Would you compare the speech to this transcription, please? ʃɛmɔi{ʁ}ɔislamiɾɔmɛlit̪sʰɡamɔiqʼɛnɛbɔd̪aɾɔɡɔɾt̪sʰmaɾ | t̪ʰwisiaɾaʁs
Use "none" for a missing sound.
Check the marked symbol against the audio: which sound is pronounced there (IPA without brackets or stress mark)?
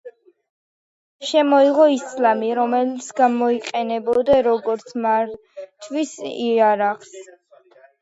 ʁ